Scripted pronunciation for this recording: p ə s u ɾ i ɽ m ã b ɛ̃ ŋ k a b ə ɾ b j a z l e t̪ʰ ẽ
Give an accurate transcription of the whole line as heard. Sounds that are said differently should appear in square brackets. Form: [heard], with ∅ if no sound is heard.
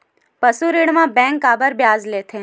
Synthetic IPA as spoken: p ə s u ɾ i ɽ m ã b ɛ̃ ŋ k a b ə ɾ b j a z l e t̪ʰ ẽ